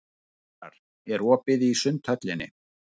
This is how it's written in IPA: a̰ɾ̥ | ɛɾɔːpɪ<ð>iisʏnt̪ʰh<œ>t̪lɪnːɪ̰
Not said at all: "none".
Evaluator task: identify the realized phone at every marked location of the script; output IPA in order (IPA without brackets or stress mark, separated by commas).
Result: ð, œ